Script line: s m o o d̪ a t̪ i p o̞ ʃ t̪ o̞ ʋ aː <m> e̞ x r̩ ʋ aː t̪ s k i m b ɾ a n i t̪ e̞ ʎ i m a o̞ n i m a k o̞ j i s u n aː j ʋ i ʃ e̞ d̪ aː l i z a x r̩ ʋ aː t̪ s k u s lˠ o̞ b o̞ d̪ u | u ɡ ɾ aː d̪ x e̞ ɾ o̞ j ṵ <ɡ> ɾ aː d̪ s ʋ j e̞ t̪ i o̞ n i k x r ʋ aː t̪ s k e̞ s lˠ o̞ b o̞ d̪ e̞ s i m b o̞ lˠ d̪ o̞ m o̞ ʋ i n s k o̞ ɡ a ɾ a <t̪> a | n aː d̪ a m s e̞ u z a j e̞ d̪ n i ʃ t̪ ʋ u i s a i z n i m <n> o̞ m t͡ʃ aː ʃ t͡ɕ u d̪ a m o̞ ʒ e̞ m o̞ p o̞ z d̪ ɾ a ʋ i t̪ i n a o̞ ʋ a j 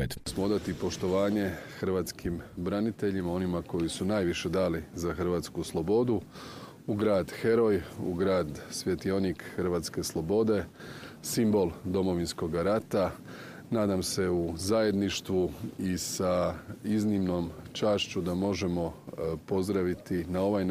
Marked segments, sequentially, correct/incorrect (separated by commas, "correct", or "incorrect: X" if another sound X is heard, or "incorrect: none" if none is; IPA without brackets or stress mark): incorrect: ɲ, correct, correct, correct